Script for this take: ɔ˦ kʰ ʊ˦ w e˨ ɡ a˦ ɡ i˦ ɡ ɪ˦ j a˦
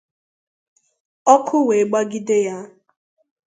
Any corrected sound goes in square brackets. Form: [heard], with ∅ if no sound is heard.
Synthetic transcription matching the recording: ɔ˦ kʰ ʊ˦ w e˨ [ɡ͡b] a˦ ɡ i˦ [d] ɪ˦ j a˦